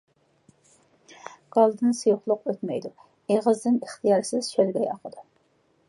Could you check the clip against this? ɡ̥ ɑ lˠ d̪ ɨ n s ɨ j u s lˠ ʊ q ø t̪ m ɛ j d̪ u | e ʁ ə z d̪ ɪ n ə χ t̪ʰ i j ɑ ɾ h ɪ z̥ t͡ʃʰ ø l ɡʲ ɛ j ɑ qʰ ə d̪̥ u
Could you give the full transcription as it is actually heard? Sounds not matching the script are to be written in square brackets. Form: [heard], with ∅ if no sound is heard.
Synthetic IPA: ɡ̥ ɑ lˠ d̪ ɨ n s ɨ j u [χ] lˠ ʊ q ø t̪ m ɛ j d̪ u | e ʁ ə z d̪ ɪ n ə χ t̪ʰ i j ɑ ɾ [s] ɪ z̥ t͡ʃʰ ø l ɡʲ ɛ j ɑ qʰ ə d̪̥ u